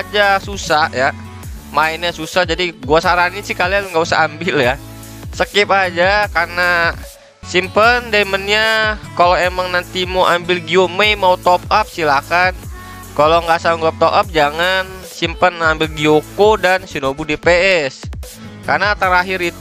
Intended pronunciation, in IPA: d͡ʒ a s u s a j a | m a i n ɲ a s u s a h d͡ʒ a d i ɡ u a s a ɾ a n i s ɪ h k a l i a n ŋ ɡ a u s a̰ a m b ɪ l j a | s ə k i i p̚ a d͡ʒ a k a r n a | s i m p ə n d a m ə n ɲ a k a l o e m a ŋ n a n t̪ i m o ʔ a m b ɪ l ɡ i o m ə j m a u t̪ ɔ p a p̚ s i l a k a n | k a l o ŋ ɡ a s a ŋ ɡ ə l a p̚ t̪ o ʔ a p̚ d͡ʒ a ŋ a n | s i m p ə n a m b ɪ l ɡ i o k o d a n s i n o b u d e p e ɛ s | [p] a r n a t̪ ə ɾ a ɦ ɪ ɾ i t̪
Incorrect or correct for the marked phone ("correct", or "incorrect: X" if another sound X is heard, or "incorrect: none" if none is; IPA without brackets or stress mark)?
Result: incorrect: k